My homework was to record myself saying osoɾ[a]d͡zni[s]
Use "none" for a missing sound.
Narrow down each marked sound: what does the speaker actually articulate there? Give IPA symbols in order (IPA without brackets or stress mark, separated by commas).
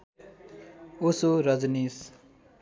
ʌ, s